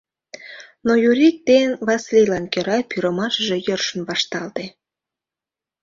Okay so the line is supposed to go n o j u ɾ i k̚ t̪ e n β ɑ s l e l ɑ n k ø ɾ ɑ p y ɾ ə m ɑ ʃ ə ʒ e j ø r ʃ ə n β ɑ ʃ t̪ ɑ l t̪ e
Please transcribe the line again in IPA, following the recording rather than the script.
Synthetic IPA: n o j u ɾ i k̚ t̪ e n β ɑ s l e l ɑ n k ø ɾ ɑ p y ɾ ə m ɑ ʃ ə ʒ e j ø r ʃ ə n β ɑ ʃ t̪ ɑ l t̪ e